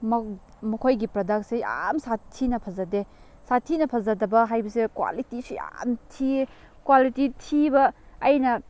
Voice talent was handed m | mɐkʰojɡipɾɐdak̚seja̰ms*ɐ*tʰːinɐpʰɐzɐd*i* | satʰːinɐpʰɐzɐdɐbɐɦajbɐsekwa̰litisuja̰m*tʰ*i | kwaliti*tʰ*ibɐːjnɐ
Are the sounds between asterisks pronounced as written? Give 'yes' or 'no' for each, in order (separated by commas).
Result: no, no, yes, yes